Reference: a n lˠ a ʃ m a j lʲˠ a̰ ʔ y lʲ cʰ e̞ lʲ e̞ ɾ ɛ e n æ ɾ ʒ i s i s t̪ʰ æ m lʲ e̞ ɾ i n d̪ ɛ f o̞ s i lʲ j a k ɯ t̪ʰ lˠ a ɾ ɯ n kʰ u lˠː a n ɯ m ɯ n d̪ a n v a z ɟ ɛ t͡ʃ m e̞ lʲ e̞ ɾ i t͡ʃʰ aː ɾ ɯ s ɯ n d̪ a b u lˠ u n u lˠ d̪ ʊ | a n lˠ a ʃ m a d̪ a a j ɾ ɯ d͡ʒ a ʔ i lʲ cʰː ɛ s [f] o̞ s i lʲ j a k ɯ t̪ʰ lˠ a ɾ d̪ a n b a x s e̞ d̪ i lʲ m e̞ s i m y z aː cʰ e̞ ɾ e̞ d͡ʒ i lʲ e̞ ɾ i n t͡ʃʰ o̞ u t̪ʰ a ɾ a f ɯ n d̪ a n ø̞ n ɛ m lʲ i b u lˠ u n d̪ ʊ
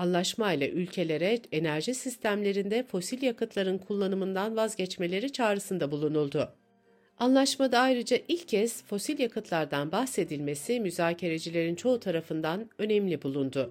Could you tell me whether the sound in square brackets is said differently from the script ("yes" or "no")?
no